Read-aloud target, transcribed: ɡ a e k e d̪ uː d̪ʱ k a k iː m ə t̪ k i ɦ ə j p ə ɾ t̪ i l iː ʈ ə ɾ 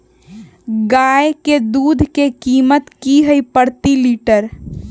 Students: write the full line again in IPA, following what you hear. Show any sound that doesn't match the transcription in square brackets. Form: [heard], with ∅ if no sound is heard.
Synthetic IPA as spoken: ɡ a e k e d̪ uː d̪ʱ k [e] k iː m ə t̪ k i ɦ ə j p ə ɾ t̪ i l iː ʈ ə ɾ